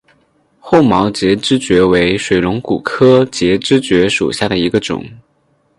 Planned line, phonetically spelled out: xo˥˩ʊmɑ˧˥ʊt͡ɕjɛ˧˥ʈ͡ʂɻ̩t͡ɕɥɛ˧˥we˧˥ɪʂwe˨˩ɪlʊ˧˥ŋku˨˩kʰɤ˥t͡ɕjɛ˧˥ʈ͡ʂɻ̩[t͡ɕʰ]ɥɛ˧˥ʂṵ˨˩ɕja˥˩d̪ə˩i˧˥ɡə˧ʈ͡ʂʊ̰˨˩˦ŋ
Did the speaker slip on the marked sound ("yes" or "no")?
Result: yes